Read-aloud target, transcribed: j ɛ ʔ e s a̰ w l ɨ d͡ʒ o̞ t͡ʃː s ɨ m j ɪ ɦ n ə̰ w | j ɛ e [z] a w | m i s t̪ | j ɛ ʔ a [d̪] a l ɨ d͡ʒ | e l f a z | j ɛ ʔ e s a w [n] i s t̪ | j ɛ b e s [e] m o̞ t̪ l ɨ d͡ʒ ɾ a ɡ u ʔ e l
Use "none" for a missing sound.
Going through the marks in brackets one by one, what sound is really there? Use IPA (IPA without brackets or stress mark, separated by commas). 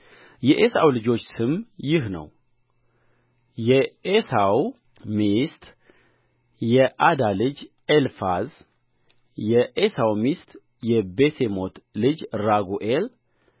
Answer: s, d̪, m, e